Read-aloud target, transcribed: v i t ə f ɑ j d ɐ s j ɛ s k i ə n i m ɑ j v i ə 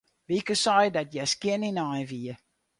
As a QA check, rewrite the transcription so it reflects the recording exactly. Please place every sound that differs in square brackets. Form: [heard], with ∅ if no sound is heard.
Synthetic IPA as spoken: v i [k] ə [s] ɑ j d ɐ [t] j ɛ s k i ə n i [n] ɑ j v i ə